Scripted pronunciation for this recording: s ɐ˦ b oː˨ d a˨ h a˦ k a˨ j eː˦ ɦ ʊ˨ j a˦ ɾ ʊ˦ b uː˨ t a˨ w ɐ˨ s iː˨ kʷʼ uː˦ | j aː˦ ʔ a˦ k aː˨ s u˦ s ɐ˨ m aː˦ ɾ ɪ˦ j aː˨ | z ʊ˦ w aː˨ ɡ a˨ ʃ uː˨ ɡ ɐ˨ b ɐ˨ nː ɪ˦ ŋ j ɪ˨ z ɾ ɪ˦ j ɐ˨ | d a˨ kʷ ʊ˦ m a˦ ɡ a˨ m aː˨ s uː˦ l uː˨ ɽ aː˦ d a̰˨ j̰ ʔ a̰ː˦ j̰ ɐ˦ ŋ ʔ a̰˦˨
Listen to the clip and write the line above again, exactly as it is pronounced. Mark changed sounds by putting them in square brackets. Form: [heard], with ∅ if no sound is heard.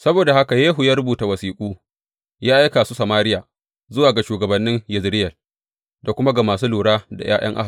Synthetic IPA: s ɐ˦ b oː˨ d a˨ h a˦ k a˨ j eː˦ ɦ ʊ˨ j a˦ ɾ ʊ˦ b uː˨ t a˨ w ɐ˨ s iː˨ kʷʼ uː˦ | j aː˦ ʔ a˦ k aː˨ s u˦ s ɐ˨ m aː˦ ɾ ɪ˦ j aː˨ | z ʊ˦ w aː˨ ɡ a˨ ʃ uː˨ ɡ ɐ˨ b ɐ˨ nː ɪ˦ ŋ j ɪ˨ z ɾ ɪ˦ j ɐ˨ | d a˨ kʷ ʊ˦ m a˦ ɡ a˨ m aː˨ s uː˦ l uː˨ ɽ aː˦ d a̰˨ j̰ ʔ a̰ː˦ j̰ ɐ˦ ŋ ʔ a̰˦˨